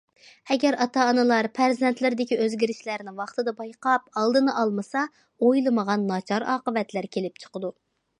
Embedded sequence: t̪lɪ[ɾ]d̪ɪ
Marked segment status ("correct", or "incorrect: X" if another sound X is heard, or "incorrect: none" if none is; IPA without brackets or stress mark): correct